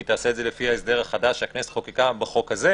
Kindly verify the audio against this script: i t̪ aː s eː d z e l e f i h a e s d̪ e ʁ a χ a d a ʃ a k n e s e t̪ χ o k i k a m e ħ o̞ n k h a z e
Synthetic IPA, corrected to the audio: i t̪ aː s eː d z e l e f i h a e s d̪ e ʁ a χ a d a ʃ a k n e s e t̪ χ o k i k a b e χ o̞ k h a z e